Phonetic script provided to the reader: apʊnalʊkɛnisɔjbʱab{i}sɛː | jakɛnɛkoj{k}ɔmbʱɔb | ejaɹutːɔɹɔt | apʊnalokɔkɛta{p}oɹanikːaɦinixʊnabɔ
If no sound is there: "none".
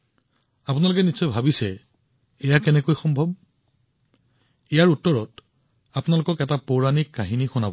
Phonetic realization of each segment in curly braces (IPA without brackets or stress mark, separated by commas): i, x, p